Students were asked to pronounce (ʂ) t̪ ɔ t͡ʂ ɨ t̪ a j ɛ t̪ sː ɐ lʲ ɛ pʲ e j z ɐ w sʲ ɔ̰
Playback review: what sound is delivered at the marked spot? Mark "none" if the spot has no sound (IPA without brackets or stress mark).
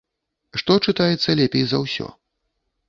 ʂ